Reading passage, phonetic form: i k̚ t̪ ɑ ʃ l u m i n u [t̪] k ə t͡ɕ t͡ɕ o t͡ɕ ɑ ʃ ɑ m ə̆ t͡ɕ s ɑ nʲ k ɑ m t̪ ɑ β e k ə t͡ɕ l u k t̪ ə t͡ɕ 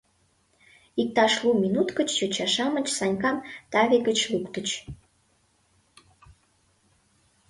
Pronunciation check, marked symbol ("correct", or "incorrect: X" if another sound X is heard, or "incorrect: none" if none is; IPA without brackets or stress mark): correct